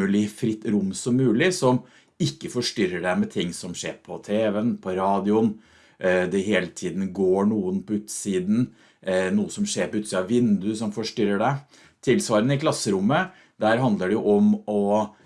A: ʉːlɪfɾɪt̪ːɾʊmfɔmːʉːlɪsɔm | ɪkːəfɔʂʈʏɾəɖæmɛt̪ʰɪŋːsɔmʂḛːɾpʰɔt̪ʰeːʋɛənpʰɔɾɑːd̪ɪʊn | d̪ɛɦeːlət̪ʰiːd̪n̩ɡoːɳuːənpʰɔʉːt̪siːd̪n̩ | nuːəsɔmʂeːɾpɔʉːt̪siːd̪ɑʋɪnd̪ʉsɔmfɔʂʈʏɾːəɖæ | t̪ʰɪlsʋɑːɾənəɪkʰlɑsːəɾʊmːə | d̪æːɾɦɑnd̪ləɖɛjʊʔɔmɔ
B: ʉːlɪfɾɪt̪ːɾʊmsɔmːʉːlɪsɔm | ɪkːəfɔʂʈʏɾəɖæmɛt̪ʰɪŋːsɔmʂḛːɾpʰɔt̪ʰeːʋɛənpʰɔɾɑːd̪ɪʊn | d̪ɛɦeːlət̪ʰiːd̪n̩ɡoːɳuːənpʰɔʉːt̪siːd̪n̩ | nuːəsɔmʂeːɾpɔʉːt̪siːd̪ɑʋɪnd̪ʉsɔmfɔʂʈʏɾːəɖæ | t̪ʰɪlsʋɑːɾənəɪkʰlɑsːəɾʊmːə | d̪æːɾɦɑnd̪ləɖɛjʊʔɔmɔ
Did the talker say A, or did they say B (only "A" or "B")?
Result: B